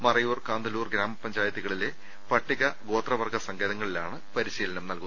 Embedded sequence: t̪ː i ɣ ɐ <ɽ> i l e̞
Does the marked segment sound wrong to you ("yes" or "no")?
yes